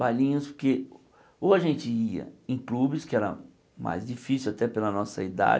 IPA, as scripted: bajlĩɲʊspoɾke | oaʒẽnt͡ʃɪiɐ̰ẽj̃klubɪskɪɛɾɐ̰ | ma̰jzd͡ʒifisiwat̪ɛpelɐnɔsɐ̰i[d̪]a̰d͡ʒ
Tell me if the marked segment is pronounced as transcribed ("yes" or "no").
yes